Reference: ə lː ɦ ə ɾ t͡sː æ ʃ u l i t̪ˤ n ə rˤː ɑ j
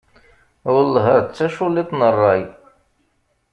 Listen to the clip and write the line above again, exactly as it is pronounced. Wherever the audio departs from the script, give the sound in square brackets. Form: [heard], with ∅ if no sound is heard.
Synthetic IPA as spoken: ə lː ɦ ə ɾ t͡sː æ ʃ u l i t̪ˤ n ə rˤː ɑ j